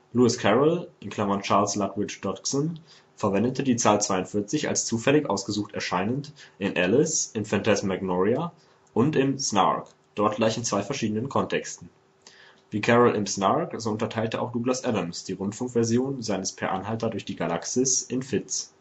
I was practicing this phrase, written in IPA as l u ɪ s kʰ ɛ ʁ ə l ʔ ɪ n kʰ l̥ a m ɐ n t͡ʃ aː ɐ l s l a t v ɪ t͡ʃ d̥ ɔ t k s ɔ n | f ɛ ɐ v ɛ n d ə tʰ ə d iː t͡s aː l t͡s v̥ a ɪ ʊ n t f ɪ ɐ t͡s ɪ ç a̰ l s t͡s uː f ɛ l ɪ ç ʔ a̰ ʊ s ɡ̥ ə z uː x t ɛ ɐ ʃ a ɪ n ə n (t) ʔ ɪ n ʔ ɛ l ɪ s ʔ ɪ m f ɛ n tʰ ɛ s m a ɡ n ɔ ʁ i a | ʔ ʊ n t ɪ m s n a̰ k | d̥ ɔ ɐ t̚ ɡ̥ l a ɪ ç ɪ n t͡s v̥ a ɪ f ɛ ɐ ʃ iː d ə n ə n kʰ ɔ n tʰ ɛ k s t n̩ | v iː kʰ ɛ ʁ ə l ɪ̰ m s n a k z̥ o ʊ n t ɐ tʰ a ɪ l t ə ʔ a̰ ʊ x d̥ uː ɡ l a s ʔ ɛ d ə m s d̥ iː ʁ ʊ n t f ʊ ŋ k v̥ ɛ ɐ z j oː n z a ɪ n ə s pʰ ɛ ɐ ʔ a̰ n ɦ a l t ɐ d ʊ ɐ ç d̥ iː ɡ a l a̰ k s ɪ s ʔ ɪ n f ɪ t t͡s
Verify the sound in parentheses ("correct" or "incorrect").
correct